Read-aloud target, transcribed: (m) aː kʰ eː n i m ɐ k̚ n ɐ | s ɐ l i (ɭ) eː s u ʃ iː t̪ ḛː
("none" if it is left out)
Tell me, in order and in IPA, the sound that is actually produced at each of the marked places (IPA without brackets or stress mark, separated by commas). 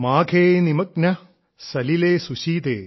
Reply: m, l